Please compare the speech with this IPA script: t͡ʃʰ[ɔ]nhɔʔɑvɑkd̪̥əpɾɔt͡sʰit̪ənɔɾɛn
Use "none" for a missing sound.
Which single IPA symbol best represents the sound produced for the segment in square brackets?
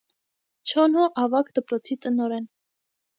ɔ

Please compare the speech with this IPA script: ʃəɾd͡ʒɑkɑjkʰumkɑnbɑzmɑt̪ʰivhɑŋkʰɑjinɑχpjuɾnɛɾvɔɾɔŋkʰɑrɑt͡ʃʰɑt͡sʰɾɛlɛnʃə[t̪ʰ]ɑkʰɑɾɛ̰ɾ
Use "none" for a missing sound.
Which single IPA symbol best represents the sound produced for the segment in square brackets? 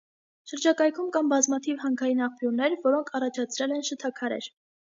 t̪ʰ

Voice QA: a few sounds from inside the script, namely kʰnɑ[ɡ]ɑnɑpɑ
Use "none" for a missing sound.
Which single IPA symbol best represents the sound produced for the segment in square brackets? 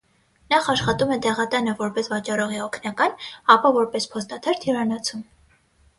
k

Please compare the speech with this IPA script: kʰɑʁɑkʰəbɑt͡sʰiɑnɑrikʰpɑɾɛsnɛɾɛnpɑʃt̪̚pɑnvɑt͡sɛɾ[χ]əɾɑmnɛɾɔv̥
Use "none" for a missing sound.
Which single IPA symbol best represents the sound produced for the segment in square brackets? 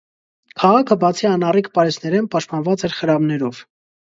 χ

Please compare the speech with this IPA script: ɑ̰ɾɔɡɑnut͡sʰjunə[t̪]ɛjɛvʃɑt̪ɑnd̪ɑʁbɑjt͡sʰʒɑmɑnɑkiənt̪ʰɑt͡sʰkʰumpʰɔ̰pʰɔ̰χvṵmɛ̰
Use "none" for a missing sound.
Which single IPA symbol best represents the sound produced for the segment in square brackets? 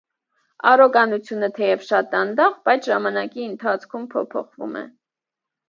t̪ʰ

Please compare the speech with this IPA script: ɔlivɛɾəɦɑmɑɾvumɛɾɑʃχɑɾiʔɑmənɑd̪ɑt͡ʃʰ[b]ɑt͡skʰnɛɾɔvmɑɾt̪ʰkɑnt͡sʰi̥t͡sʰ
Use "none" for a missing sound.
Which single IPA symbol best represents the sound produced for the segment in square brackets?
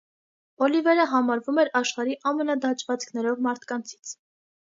v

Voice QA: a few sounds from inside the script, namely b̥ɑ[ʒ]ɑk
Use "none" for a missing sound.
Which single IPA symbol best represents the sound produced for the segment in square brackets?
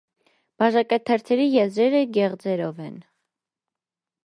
ʒ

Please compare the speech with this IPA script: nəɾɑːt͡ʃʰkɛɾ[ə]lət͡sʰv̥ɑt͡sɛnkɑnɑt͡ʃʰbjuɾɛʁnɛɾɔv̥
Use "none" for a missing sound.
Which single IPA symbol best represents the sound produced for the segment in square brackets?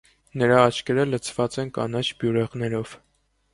ə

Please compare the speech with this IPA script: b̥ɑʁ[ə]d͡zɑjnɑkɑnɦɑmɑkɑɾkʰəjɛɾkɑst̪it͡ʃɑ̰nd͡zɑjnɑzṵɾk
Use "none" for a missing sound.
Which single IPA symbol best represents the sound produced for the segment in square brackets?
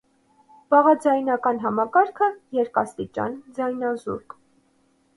ɑ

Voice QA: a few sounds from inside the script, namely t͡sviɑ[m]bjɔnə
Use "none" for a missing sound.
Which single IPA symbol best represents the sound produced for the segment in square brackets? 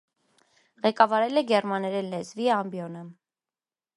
m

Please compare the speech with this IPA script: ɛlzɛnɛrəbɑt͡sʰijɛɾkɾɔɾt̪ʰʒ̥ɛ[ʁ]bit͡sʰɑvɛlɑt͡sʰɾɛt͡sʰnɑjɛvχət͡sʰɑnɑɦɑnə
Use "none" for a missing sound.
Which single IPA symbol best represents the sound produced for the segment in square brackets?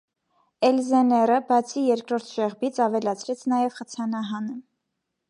ʁ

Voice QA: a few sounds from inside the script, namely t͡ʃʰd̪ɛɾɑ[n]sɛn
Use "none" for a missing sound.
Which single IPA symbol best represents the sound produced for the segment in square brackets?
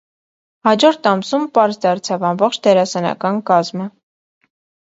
none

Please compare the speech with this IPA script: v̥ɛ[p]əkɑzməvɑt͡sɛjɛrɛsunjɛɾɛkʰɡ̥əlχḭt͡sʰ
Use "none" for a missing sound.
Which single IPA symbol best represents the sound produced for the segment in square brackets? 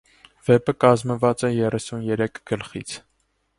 p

